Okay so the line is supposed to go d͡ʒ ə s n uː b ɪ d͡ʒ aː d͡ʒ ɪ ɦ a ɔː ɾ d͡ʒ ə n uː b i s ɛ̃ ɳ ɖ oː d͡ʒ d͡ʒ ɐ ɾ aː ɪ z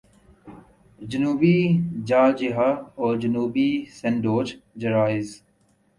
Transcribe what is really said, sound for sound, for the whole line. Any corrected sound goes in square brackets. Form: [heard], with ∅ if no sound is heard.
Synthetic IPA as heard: d͡ʒ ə [∅] n uː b [i] d͡ʒ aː d͡ʒ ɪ ɦ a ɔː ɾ d͡ʒ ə n uː b i s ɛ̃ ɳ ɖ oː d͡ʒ d͡ʒ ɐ ɾ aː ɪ z